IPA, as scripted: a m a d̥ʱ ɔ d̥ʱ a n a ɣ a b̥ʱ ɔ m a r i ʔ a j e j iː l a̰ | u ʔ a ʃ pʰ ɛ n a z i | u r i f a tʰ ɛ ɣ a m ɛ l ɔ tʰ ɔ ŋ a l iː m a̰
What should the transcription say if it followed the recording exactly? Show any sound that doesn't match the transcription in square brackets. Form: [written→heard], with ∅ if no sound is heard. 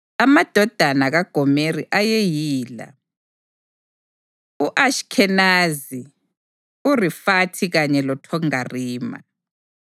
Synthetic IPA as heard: a m a d̥ʱ ɔ d̥ʱ a n a ɣ a [b̥ʱ→ɡ̥ʱ] ɔ m [a→e] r i ʔ a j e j iː l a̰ | u ʔ a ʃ [pʰ→kʰ] ɛ n a z i | u r i f a tʰ [ɛ→i] ɣ a [m→ɲ] ɛ l ɔ tʰ ɔ ŋ a [l→r] iː m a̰